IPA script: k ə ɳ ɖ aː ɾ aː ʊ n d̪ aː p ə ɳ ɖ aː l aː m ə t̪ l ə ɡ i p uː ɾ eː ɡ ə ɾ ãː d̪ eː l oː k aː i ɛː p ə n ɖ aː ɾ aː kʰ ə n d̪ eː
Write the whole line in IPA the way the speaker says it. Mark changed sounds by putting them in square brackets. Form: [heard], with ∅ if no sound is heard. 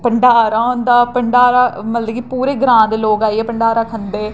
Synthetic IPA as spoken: [p] ə ɳ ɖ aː ɾ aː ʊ n d̪ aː p ə ɳ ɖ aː [ɾ] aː m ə t̪ l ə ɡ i p uː ɾ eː ɡ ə ɾ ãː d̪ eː l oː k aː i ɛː p ə [ɳ] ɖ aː ɾ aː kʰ ə n d̪ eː